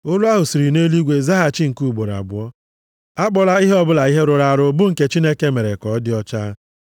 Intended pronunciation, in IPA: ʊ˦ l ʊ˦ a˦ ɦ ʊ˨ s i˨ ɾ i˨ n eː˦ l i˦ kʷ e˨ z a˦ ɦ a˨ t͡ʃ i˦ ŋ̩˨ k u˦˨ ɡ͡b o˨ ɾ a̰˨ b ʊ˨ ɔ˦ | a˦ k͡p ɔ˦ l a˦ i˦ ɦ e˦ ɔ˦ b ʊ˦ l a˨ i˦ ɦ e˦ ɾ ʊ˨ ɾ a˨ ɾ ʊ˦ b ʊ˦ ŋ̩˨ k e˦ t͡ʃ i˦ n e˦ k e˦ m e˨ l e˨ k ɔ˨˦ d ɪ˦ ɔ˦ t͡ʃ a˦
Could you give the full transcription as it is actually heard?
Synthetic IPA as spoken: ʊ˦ l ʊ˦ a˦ ɦ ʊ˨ s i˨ ɾ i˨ n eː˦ l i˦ ɡʷ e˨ z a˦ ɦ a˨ t͡ʃ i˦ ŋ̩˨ k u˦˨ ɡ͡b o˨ ɾ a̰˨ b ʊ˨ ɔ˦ | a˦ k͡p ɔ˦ l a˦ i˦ ɦ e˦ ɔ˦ b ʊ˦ l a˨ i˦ ɦ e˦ ɾ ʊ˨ ɾ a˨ ɾ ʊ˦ b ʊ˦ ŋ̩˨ k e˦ t͡ʃ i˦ n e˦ k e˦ m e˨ ɾ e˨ k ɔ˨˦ d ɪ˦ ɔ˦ t͡ʃ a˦